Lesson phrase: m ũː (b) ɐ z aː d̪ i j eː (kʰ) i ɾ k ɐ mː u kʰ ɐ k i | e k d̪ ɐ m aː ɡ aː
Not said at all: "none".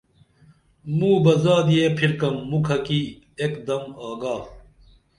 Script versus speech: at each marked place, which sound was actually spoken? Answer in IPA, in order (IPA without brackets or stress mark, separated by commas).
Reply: b, pʰ